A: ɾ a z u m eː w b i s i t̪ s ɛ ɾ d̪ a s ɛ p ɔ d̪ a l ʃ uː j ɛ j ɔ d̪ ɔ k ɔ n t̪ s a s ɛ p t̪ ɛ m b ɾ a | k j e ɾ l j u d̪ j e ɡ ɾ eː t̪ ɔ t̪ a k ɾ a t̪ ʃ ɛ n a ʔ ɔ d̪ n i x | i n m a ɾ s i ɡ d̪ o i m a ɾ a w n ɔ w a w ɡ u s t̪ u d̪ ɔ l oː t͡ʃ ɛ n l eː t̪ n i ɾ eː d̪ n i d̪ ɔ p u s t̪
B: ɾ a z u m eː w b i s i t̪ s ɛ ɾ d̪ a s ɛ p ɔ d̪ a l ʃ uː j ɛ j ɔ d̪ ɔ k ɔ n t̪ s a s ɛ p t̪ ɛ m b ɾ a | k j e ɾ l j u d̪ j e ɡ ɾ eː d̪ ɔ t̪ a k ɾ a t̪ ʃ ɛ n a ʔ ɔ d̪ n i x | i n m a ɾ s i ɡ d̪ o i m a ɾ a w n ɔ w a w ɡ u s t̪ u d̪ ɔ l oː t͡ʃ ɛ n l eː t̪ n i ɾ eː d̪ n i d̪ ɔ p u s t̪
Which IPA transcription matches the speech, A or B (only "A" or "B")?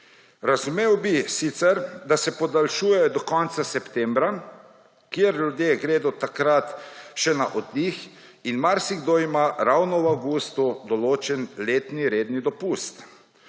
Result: B